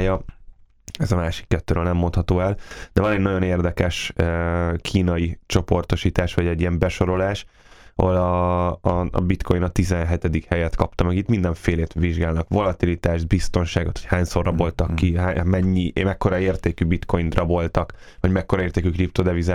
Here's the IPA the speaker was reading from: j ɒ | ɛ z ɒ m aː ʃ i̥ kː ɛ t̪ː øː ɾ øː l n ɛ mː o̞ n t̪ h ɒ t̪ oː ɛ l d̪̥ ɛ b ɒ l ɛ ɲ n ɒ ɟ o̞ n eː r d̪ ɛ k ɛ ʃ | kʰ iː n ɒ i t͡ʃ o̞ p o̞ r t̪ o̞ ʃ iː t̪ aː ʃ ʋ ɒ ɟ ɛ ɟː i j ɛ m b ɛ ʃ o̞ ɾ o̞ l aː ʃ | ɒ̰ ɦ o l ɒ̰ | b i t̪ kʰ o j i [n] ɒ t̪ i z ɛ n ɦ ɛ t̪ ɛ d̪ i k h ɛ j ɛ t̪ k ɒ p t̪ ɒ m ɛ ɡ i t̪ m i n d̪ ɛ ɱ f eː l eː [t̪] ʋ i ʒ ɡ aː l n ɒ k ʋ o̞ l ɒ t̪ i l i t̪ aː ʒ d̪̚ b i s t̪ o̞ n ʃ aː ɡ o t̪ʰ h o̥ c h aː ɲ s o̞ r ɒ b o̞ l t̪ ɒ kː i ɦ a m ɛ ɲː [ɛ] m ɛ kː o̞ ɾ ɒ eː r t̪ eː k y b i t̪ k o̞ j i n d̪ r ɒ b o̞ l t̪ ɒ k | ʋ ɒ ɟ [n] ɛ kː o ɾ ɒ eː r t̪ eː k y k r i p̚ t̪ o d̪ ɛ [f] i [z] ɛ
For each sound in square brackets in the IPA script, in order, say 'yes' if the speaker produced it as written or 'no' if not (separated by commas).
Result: yes, yes, no, no, no, yes